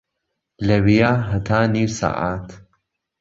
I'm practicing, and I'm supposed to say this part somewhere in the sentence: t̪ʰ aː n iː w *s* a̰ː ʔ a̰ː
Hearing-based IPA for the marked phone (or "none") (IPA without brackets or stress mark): s